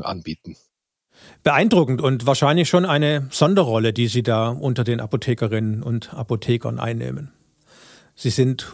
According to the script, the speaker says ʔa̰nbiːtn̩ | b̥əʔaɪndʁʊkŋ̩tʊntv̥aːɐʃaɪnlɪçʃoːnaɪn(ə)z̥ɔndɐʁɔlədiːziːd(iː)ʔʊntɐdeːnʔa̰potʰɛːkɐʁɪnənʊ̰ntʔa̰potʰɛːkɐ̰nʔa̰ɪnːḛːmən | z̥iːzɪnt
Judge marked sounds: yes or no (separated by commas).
yes, no